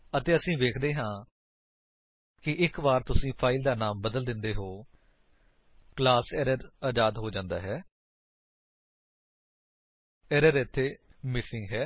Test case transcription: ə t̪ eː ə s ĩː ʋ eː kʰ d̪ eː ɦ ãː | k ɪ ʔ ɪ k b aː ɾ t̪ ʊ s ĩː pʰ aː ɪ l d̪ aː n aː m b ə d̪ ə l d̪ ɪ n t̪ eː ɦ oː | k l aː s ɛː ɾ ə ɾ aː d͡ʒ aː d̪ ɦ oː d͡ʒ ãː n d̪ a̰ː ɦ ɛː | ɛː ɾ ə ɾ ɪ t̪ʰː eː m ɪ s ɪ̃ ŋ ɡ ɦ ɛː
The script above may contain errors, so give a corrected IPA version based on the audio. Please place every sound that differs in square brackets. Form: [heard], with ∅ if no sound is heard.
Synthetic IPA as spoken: ə t̪ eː ə s ĩː ʋ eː kʰ d̪ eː ɦ ãː | k ɪ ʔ ɪ k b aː ɾ t̪ ʊ s ĩː pʰ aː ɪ l d̪ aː n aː m b ə d̪ ə l d̪ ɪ n [d̪] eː ɦ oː | k l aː s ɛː ɾ ə ɾ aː d͡ʒ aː d̪ ɦ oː d͡ʒ ãː n d̪ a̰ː ɦ ɛː | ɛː ɾ ə ɾ ɪ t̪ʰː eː m ɪ s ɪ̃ ŋ ɡ ɦ ɛː